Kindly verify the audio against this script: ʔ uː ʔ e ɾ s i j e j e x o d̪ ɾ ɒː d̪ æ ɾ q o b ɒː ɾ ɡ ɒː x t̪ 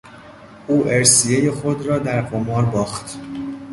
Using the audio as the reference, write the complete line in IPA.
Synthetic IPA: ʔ uː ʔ e ɾ s i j e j e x o d̪ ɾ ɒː d̪ æ ɾ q o m ɒː ɾ b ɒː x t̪